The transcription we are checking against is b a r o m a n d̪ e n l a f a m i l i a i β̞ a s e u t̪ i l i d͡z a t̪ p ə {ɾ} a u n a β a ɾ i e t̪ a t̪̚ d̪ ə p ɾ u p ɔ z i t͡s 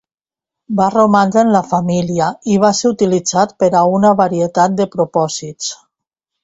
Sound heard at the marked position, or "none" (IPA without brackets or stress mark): ɾ